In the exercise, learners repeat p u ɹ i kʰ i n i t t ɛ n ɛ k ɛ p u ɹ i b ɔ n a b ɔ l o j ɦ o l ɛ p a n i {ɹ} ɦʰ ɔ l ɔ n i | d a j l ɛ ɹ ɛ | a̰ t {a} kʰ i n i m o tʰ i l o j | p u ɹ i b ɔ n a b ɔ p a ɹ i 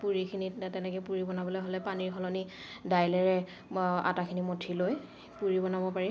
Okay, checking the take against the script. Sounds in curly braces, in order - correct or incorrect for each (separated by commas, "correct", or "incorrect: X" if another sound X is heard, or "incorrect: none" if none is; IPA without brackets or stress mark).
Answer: correct, correct